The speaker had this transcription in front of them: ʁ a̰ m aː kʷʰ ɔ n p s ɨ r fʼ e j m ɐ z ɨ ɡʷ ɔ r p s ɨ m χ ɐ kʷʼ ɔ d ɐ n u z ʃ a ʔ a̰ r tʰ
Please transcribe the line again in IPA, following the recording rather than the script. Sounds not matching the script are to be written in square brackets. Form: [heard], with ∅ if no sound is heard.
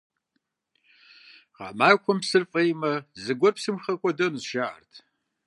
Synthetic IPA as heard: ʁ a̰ m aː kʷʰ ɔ [m] p s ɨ r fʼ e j m ɐ z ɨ ɡʷ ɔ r p s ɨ m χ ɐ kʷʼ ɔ d ɐ n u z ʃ a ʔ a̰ r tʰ